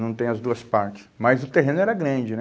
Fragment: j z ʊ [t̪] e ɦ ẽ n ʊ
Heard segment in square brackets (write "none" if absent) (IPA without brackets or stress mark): t̪